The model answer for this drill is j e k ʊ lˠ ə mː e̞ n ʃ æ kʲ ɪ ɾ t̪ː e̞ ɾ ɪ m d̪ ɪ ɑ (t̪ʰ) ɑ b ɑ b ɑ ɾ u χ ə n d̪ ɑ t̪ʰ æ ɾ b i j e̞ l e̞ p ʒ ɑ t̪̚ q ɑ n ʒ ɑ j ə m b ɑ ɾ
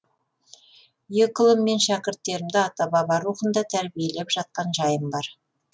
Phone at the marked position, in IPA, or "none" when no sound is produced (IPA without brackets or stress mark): t̪